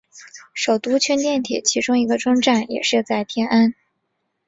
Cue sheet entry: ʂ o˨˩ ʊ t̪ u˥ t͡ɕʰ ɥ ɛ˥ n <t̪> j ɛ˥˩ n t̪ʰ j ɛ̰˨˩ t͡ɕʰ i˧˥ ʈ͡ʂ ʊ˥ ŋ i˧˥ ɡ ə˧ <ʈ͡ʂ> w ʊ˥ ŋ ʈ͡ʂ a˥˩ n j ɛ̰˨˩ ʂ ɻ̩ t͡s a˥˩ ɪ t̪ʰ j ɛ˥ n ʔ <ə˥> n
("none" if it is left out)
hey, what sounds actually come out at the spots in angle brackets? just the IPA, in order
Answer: t̪, ʈ͡ʂ, a˥

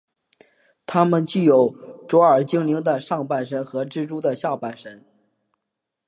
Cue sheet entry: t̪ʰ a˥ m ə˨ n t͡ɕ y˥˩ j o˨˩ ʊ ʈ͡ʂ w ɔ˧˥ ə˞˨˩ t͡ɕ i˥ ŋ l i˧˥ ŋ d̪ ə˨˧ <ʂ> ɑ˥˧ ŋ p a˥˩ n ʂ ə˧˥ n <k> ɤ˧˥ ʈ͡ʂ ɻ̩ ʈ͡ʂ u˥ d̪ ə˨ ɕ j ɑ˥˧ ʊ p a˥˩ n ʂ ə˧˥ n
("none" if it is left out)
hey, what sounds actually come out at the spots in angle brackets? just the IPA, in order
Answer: ʂ, x

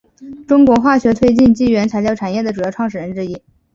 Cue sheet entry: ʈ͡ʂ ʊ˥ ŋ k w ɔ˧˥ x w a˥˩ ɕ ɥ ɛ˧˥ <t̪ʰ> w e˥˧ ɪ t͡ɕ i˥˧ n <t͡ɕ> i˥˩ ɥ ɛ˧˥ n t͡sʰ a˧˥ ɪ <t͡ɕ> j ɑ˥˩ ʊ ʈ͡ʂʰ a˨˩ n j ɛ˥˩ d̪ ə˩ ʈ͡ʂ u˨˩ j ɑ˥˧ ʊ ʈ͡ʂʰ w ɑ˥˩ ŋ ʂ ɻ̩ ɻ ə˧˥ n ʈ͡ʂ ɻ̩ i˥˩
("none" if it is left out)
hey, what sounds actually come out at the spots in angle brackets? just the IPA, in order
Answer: t̪ʰ, t͡ɕ, t͡ɕ

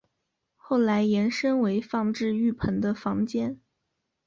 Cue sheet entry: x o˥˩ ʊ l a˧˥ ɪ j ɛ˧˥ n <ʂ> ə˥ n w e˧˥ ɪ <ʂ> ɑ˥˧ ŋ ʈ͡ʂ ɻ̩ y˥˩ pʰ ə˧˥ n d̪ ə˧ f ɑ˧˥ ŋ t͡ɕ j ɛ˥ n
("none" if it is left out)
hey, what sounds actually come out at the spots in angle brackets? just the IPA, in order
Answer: ʂ, f

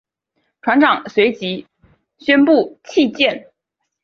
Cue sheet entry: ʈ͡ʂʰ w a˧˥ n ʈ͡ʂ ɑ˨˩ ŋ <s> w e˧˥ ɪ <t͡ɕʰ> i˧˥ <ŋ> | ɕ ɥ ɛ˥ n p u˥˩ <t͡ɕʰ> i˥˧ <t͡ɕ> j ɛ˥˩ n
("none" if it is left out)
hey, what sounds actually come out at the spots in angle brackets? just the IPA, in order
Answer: s, t͡ɕ, none, t͡ɕʰ, t͡ɕ

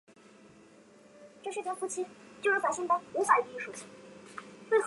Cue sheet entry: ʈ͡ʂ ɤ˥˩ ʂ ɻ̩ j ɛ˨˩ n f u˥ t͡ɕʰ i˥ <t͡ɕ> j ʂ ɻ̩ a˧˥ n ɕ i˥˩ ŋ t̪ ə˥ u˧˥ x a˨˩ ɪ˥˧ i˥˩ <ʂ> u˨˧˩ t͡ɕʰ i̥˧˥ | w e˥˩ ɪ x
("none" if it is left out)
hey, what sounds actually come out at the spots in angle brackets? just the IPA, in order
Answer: t͡ɕ, ʂ

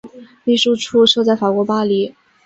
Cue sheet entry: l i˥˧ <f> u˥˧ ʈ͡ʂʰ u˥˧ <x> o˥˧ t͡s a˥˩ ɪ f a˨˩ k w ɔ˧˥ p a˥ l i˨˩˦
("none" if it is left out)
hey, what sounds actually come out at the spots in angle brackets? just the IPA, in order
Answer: ʂ, ʂ

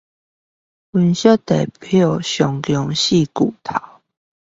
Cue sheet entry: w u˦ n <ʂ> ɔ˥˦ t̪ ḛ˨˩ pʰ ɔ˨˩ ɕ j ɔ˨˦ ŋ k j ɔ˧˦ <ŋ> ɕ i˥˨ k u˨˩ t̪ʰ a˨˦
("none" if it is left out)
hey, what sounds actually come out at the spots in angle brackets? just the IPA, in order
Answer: ɕ, ŋ

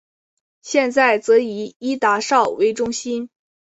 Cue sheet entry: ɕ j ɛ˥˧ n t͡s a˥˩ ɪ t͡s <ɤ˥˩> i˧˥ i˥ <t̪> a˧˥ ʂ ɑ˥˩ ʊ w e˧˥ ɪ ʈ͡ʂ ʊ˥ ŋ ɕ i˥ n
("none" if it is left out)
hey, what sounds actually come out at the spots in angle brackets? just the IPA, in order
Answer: ɤ˧˥, t̪

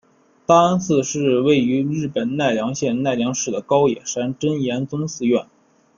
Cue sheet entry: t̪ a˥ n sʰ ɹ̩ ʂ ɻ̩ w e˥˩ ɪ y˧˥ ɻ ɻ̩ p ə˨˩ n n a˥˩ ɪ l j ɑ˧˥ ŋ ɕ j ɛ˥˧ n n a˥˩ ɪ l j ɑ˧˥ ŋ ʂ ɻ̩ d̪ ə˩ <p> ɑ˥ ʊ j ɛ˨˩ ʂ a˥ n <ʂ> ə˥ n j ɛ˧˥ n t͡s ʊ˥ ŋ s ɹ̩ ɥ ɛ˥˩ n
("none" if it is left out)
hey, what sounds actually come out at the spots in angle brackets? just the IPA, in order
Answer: k, ʈ͡ʂ

